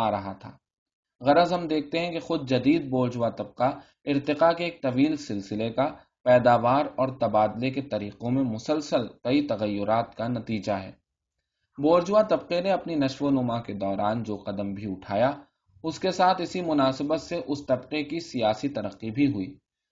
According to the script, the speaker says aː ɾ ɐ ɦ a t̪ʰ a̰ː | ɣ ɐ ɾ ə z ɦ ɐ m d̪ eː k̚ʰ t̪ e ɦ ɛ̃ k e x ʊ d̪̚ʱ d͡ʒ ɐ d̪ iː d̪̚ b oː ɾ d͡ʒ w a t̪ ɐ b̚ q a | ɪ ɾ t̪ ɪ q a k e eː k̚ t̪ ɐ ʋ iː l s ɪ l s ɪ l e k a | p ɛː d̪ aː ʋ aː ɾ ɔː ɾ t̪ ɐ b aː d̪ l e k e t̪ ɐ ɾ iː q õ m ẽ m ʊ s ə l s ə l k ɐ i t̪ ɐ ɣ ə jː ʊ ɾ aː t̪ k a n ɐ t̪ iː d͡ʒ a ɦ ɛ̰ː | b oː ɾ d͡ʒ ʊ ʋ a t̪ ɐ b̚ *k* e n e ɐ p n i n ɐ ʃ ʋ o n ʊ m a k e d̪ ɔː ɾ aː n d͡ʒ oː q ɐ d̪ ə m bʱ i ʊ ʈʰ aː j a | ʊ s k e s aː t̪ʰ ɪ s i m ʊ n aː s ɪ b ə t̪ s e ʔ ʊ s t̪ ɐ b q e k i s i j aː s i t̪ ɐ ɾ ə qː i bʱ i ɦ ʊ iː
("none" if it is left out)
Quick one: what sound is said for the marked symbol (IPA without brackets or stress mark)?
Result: q